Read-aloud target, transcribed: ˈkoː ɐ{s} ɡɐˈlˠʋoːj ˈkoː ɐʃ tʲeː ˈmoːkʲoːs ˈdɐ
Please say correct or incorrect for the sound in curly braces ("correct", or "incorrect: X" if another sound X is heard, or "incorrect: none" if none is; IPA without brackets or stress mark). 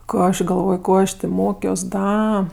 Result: incorrect: ʃ